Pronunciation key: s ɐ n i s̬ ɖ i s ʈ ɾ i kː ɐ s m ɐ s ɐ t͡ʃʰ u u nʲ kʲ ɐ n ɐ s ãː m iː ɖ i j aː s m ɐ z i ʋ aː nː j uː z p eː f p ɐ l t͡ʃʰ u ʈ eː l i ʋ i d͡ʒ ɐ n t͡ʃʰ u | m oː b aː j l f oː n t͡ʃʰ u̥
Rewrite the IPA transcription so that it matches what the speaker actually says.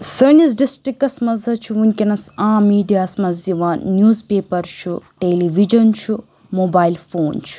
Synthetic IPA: s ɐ n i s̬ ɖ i s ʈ ɾ i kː ɐ s m ɐ z ɐ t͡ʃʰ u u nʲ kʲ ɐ n ɐ s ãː m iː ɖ i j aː s m ɐ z i ʋ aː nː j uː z p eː p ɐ ɾ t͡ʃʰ u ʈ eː l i ʋ i d͡ʒ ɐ n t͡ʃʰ u | m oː b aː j l f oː n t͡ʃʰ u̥

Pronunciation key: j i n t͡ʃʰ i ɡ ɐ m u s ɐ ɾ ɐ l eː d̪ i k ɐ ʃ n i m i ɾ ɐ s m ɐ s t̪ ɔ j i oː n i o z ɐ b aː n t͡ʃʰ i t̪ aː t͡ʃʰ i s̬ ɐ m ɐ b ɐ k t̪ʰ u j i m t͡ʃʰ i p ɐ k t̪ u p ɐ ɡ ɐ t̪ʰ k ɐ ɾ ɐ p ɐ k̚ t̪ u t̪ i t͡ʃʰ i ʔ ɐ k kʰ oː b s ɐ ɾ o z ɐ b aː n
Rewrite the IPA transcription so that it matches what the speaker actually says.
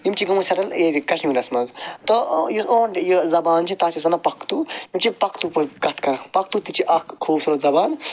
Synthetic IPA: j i m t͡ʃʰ i ɡ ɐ m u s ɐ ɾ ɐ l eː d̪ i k ɐ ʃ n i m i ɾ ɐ s m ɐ z t̪ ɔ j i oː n j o z ɐ b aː n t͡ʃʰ i t̪ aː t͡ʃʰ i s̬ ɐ n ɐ p ɐ k t̪ u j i m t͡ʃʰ i p ɐ k t̪ u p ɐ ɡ ɐ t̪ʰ k ɐ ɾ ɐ p ɐ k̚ t̪ u t̪ i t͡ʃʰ i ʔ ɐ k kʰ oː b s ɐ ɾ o z ɐ b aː n

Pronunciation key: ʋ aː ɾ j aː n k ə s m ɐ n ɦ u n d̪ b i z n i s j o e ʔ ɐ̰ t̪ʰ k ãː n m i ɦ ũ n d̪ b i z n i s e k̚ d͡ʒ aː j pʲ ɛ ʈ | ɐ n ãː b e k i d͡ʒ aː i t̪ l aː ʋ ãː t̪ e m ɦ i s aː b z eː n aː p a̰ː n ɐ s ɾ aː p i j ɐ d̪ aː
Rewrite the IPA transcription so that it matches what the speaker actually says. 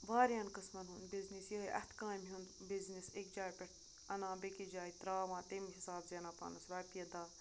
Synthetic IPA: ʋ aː ɾ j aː n k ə s m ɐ n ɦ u n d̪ b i z n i s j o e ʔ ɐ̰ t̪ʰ k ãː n m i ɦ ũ n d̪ b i z n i s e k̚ d͡ʒ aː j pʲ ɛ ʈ | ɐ n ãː b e k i d͡ʒ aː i t̪ ɾ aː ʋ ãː t̪ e m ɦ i s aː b z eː n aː p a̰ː n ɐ s ɾ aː p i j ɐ d̪ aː

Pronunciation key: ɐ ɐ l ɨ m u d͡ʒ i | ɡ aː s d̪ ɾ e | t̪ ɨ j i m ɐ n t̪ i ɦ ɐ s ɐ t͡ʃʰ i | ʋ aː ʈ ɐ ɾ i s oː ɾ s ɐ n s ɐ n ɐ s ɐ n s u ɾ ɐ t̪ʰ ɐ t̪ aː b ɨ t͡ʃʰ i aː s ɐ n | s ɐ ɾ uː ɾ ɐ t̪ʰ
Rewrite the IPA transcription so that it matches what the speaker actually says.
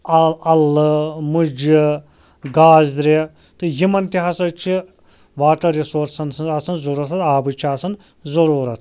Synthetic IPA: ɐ ɐ l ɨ m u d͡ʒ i | ɡ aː z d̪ ɾ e | t̪ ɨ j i m ɐ n t̪ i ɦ ɐ s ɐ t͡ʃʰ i | ʋ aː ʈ ɐ ɾ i s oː ɾ s ɐ n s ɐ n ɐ s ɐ n z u ɾ ɐ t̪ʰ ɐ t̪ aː b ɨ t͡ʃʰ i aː s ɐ n | z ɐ ɾ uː ɾ ɐ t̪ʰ

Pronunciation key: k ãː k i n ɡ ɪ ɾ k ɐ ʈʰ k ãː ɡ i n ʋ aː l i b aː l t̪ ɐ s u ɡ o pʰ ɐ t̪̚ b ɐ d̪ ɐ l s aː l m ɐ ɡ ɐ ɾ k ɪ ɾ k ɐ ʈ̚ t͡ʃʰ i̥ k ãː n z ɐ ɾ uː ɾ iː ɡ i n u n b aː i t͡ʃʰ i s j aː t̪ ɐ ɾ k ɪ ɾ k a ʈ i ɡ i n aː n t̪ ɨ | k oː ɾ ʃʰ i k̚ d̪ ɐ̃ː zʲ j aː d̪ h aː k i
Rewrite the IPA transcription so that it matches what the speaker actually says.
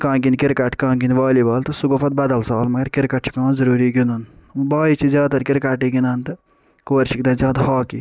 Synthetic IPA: k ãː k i n k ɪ ɾ k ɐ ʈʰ k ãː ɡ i n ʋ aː l i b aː l t̪ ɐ s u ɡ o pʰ ɐ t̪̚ b ɐ d̪ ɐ l s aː l m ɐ ɡ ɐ ɾ k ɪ ɾ k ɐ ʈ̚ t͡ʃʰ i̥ k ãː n z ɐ ɾ uː ɾ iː ɡ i n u n b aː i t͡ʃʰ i z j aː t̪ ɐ ɾ k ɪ ɾ k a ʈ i ɡ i n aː n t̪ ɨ | k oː ɾ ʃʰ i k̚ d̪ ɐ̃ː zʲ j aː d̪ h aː k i

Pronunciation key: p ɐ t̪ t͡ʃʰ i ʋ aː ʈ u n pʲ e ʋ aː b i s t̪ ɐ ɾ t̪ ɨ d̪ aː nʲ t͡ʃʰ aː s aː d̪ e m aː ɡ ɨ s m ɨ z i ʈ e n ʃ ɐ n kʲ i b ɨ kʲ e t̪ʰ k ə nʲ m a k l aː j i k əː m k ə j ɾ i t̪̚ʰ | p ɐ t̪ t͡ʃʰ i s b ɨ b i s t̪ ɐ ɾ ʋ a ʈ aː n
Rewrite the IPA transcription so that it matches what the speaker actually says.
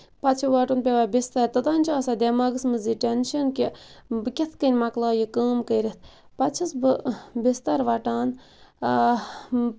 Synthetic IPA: p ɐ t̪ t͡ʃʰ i ʋ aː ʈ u n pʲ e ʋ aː b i s t̪ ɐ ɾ t̪ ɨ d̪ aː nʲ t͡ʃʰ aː s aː d̪ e m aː ɡ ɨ s m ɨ z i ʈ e n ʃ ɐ n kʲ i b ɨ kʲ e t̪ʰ k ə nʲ m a k l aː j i k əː m k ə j ɾ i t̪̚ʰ | p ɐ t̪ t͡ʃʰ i s b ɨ b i s t̪ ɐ ɾ ʋ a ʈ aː n

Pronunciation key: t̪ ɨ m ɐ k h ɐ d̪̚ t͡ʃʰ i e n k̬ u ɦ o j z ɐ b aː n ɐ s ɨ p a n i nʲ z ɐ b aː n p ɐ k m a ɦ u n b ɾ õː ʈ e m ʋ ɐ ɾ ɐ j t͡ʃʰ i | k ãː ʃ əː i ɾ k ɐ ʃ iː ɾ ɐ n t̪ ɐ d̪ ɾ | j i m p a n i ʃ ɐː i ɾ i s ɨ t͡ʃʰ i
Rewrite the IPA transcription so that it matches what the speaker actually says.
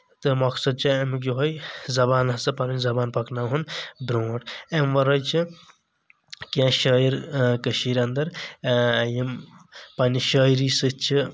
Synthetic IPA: t̪ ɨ m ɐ k s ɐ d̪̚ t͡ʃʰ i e m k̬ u ɦ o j z ɐ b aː n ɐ s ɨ p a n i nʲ z ɐ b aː n p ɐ k n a ɦ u n b ɾ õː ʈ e m ʋ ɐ ɾ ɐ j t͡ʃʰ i | k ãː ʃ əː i ɾ k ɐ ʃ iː ɾ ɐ n d̪ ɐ ɾ | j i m p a n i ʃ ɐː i ɾ i s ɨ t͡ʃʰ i

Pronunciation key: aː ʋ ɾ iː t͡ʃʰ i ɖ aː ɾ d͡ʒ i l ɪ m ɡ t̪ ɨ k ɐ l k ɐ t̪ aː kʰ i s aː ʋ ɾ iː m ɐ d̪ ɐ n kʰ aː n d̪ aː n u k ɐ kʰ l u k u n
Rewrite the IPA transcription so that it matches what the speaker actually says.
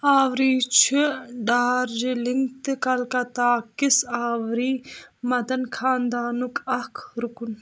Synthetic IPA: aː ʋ ɾ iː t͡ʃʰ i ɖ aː ɾ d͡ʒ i l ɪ ŋ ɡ t̪ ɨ k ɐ l k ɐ t̪ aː k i s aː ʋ ɾ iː m ɐ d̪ ɐ n kʰ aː n d̪ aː n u k ɐ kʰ ɾ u k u n

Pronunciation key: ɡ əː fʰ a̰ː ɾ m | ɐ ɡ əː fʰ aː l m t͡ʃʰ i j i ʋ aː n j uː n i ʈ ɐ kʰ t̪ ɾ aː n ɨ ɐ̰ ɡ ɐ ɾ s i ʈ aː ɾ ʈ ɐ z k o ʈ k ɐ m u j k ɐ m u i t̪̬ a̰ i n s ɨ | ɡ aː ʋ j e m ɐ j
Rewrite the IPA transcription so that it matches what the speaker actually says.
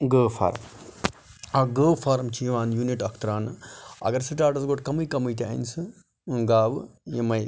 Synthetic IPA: ɡ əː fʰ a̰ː ɾ m | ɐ ɡ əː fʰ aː ɾ m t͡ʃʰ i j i ʋ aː n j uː n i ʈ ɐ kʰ t̪ ɾ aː n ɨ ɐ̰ ɡ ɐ ɾ s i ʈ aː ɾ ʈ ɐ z ɡ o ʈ k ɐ m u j k ɐ m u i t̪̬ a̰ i n s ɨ | ɡ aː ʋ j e m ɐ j

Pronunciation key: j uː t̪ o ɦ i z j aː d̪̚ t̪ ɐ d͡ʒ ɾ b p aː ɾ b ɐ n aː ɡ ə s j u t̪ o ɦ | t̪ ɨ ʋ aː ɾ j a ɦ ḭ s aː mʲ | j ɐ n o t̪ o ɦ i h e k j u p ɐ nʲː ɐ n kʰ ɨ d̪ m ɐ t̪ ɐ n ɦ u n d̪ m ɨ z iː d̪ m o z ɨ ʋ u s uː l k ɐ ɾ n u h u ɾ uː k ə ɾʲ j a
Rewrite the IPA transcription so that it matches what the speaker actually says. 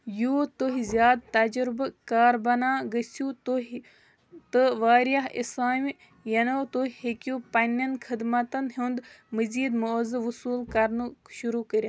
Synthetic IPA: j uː t̪ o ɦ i z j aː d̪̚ t̪ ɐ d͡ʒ ɾ b k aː ɾ b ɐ n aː ɡ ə s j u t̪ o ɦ | t̪ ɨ ʋ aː ɾ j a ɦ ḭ s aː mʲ | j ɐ n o t̪ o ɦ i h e k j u p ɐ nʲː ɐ n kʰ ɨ d̪ m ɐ t̪ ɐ n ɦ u n d̪ m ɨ z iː d̪ m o z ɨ ʋ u s uː l k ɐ ɾ n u ʃ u ɾ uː k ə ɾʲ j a

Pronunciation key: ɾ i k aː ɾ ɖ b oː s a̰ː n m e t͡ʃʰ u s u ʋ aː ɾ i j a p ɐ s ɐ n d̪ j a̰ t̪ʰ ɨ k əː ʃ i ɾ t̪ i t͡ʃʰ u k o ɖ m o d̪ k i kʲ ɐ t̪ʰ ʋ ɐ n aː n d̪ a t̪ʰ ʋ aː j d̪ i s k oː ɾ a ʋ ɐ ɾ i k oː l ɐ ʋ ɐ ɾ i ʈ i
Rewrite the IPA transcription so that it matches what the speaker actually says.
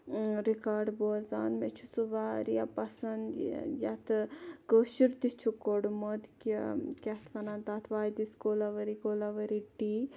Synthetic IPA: ɾ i k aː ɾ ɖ b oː z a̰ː n m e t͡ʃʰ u s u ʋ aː ɾ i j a p ɐ s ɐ n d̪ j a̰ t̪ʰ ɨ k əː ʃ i ɾ t̪ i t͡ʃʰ u k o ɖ m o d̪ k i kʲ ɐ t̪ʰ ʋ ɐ n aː n t̪ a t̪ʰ ʋ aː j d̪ i s k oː l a ʋ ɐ ɾ i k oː l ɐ ʋ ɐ ɾ i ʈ i

